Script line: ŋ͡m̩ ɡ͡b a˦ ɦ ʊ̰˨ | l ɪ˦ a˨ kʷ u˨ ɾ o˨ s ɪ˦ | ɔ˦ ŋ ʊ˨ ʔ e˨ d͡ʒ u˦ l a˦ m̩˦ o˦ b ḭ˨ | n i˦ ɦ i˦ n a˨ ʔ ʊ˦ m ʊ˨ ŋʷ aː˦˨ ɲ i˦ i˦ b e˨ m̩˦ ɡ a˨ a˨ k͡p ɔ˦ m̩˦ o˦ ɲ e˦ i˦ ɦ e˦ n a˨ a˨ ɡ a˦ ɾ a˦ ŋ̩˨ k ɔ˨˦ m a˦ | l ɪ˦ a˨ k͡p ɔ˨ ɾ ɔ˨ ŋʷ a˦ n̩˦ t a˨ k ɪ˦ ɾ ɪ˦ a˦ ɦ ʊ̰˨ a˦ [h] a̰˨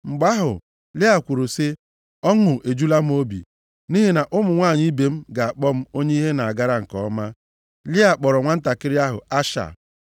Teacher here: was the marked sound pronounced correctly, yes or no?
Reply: no